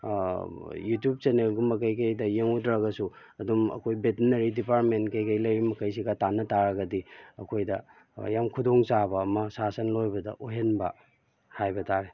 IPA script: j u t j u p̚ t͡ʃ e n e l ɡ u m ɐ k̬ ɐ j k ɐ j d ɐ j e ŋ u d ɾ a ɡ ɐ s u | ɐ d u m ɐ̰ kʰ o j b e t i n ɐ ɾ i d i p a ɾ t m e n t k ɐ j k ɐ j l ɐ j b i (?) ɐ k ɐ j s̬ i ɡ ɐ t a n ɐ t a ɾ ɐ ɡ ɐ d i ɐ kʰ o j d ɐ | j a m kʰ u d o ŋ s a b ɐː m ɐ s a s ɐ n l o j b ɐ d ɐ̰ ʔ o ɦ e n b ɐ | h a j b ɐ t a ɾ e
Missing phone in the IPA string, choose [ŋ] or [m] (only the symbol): m